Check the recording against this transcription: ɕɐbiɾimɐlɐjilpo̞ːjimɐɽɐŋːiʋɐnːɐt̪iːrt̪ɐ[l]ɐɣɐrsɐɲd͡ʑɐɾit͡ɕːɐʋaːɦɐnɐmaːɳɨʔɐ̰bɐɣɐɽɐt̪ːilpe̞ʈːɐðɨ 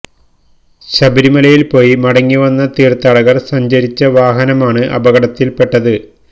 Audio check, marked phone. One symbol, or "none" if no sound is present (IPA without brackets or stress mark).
ɽ